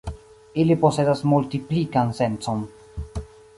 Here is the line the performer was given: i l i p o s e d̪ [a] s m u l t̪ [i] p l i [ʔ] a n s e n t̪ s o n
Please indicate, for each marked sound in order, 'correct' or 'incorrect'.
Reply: correct, correct, incorrect

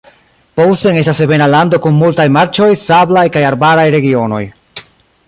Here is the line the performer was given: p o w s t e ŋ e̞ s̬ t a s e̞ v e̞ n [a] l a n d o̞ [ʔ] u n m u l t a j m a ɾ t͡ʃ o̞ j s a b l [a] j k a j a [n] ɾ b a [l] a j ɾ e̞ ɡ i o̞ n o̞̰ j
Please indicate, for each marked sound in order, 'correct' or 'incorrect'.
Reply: correct, incorrect, correct, incorrect, incorrect

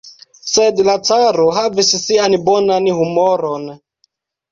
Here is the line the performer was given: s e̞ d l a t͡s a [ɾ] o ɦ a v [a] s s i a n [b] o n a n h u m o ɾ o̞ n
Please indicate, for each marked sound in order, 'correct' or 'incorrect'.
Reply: correct, incorrect, correct

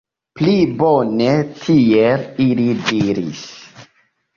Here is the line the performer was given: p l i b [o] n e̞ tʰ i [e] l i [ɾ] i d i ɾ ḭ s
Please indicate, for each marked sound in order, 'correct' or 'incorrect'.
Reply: correct, correct, incorrect

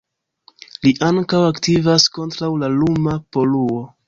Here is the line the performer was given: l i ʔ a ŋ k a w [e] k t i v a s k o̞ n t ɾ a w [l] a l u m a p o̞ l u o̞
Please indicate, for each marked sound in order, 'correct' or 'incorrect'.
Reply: incorrect, correct

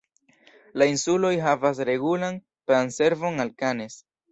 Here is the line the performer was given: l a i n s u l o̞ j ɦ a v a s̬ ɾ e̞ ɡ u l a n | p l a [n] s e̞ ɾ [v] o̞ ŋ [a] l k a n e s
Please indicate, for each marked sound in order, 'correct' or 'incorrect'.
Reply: correct, correct, correct

